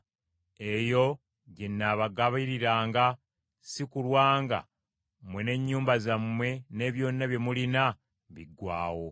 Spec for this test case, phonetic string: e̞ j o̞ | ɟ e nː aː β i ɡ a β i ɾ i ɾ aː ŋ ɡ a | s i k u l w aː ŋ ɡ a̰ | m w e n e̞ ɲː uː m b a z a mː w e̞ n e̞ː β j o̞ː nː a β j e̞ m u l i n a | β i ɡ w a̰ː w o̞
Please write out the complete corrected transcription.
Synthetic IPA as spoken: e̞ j o̞ | ɟ e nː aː β a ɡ a β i ɾ i ɾ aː ŋ ɡ a | s i k u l w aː ŋ ɡ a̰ | m w e n e̞ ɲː uː m b a z a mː w e̞ n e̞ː β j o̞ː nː a β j e̞ m u l i n a | β i ɡ w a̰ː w o̞